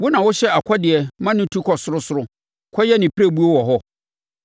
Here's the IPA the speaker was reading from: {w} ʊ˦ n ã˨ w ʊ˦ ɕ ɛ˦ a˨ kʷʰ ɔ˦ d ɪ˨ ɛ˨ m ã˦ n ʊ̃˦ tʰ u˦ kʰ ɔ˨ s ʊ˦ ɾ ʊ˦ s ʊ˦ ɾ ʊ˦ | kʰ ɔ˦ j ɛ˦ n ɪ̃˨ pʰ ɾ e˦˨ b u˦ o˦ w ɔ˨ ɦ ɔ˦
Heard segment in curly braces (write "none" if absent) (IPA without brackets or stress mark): w